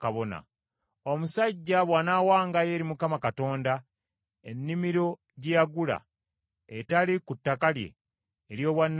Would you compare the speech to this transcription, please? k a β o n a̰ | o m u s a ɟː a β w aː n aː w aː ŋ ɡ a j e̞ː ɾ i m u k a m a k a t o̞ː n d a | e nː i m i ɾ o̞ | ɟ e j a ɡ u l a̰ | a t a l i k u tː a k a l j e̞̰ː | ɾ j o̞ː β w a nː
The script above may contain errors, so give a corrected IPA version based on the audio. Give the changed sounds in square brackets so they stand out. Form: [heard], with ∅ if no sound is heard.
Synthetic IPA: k a β o n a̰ | o m u s a ɟː a β w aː n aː w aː ŋ ɡ a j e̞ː ɾ i m u k a m a k a t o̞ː n d a | e nː i m i ɾ o̞ | ɟ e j a ɡ u l a̰ | [e] t a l i k u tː a k a l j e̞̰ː | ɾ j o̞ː β w a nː